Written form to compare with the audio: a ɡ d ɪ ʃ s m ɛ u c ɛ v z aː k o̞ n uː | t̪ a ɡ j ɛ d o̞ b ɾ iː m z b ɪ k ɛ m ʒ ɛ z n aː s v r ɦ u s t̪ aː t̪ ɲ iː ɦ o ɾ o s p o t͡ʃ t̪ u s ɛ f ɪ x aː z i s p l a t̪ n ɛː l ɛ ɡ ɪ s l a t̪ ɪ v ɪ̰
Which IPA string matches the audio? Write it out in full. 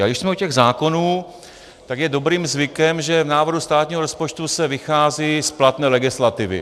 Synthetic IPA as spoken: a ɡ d ɪ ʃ s m ɛ u c ɛ ɣ z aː k o̞ n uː | t̪ a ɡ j ɛ d o̞ b ɾ iː m z v ɪ k ɛ m ʒ ɛ v n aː v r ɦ u s t̪ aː t̪ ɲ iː ɦ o ɾ o s p o t͡ʃ t̪ u s ɛ v ɪ x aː z i s p l a t̪ n ɛː l ɛ ɡ ɪ s l a t̪ ɪ v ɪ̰